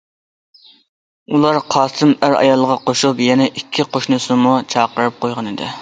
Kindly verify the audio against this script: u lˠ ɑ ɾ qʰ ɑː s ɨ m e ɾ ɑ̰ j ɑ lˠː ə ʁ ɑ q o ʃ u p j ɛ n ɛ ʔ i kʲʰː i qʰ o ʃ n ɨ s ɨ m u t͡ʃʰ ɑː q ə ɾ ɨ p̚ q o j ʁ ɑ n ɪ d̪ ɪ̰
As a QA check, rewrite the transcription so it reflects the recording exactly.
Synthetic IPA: u lˠ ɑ ɾ qʰ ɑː s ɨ m æ ɾ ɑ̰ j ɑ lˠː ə ʁ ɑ q o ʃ u p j ɛ n ɛ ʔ i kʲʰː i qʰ o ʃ n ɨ s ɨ m u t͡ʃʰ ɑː q ə ɾ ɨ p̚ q o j ʁ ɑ n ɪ d̪ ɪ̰